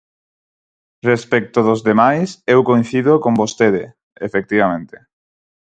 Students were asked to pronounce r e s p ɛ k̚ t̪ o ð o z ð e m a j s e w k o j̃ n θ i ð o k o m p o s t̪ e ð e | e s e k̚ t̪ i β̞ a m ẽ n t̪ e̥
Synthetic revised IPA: r e s p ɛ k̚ t̪ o ð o z ð e m a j s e w k o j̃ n θ i ð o k o m b o s t̪ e ð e | e f e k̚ t̪ i β̞ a m ẽ n t̪ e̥